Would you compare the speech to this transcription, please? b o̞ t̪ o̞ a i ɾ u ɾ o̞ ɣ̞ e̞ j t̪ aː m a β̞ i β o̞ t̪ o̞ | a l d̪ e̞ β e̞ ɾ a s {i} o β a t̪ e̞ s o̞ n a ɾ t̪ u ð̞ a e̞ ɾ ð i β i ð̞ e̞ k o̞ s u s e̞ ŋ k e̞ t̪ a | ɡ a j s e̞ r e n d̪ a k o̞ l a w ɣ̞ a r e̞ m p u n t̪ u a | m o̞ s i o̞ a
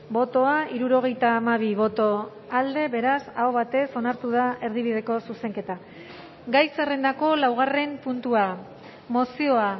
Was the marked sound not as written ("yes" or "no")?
yes